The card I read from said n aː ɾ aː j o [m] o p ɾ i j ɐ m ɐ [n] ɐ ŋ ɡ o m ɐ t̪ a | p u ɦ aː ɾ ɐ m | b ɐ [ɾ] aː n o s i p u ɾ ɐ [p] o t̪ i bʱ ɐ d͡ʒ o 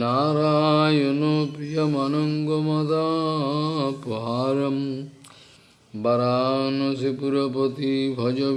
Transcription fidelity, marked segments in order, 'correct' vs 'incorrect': incorrect: n, correct, correct, correct

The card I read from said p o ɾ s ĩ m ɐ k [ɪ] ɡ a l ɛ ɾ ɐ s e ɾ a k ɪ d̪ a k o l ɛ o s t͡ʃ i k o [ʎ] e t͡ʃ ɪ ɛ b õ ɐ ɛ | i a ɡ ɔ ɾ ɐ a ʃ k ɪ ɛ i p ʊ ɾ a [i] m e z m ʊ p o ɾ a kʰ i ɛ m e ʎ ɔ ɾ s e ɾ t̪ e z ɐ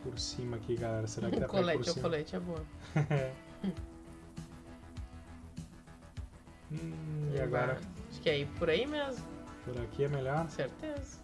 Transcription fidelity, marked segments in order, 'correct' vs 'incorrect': incorrect: i, incorrect: l, correct

